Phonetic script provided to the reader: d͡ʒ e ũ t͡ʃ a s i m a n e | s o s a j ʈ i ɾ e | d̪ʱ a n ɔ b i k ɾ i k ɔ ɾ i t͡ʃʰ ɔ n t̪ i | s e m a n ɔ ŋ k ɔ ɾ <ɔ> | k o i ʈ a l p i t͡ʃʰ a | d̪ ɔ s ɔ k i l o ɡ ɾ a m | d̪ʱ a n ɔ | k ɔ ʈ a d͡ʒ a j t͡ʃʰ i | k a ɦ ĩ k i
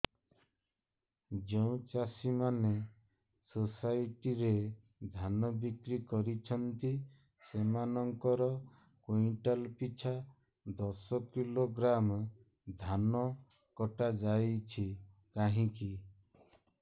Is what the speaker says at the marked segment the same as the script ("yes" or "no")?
yes